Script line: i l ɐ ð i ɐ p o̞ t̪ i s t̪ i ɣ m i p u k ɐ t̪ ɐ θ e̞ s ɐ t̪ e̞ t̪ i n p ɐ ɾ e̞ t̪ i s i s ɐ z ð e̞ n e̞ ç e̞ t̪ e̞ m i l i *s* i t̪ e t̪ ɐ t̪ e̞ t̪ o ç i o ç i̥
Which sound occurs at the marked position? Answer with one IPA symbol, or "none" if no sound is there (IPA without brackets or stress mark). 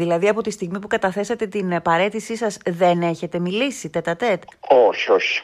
s